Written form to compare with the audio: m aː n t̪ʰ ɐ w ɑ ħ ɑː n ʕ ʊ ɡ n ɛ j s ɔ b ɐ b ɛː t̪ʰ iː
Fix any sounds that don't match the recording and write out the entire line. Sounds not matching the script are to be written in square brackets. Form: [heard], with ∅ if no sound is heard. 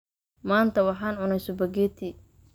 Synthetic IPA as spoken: m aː n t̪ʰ ɐ w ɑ ħ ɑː n ʕ ʊ [∅] n ɛ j s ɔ b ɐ [ɡ] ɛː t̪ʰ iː